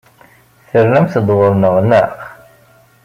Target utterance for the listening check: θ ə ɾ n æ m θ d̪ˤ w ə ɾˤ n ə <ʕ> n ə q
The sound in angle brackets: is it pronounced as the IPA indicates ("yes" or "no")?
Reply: no